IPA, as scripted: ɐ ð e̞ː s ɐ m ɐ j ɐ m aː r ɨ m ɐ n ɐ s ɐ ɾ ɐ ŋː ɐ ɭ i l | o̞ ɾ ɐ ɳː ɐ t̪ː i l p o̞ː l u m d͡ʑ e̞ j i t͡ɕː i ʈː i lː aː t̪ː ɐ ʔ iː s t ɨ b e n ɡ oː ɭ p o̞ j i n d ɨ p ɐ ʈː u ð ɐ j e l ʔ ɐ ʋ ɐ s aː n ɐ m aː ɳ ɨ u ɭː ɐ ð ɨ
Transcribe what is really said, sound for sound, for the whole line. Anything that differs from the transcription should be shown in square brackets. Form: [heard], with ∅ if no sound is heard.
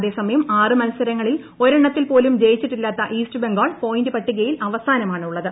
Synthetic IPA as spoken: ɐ ð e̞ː s ɐ m ɐ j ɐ m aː r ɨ m ɐ n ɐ s ɐ ɾ ɐ ŋː ɐ ɭ i l | o̞ ɾ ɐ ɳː ɐ t̪ː i l p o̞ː l u m d͡ʑ e̞ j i t͡ɕː i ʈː i lː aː t̪ː ɐ ʔ iː s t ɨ b e [ŋ] ɡ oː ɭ p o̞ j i n d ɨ p ɐ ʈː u [ɣ] ɐ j [i] l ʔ ɐ ʋ ɐ s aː n ɐ m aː ɳ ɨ u ɭː ɐ ð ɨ